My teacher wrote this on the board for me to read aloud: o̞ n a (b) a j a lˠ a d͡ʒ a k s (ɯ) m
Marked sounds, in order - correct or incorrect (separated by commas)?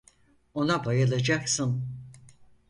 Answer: correct, correct